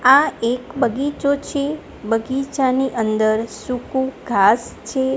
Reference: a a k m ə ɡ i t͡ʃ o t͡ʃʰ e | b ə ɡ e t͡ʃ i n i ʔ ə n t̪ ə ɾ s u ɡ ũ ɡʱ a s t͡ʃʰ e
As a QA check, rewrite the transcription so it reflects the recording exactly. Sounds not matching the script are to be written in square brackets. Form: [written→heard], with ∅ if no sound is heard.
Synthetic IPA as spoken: a [a→e] k [m→b] ə ɡ i t͡ʃ o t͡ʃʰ e | b ə ɡ [e→i] t͡ʃ [i→a] n i ʔ ə n [t̪→d̪] ə ɾ s u [ɡ→k] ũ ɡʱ a s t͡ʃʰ e

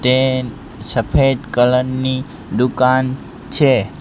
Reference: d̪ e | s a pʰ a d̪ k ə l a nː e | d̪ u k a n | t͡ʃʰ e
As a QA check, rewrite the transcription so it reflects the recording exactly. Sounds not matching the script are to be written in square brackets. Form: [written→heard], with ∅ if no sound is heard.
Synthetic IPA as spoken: [d̪→t̪] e | s [a→ə] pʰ [a→e] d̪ k ə l [a→ə] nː [e→i] | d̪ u k a n | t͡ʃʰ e

